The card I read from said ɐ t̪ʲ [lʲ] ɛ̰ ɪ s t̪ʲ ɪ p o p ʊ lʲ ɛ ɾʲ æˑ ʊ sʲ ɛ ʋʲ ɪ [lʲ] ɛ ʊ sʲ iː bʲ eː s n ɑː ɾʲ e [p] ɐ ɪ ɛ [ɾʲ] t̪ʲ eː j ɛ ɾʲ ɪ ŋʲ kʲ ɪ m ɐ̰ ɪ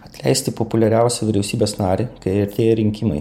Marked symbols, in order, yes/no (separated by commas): yes, no, no, yes